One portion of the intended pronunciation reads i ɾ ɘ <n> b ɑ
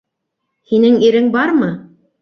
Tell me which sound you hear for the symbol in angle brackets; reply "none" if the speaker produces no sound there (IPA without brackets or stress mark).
ŋ